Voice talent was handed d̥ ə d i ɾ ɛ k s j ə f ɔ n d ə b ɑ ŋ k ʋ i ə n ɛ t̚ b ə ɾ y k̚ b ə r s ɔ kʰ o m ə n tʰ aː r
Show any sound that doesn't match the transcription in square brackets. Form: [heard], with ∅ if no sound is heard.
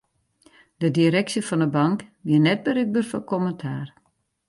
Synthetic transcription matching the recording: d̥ ə d i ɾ ɛ k s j ə f ɔ n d ə b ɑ ŋ k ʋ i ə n ɛ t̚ b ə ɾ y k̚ b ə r [f] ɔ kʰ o m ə n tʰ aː r